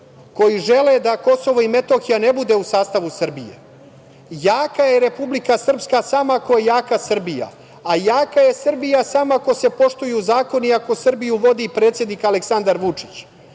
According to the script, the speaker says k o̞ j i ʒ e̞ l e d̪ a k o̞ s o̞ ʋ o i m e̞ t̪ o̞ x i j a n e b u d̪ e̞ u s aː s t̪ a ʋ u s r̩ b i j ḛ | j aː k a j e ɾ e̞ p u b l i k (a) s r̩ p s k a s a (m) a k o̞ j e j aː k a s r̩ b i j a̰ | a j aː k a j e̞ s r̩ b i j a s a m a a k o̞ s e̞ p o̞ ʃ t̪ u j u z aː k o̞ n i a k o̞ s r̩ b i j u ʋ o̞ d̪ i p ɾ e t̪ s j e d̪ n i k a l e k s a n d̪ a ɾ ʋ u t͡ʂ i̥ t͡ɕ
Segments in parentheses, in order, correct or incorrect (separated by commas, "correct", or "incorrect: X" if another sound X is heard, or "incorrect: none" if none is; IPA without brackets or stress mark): correct, correct